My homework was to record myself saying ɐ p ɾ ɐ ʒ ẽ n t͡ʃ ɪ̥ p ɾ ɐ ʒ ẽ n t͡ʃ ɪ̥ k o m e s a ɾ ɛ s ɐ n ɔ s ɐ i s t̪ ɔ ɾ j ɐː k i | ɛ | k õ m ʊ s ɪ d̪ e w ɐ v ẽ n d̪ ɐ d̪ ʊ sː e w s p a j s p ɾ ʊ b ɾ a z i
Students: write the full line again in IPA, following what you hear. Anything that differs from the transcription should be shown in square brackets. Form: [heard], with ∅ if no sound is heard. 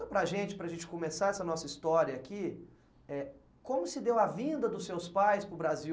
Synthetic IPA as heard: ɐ p ɾ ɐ ʒ ẽ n t͡ʃ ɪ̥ p ɾ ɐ ʒ ẽ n t͡ʃ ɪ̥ k o m e s a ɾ ɛ s ɐ n ɔ s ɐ i s t̪ ɔ ɾ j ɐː k i | ɛ | k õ m ʊ s ɪ d̪ e w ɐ v [ĩ] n d̪ ɐ d̪ ʊ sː e w s p a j s p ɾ ʊ b ɾ a z i